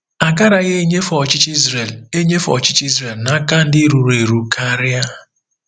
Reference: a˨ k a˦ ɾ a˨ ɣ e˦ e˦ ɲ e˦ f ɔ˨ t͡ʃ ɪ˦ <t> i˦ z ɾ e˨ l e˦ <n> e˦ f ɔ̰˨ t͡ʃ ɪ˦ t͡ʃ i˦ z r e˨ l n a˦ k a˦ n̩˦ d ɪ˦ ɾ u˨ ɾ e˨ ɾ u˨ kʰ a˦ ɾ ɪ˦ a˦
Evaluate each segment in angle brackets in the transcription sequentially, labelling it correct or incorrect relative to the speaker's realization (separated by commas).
incorrect, incorrect